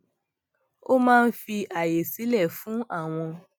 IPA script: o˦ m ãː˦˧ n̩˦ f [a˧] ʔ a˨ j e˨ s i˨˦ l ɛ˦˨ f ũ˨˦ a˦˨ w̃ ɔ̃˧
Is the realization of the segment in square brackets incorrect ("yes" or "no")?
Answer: yes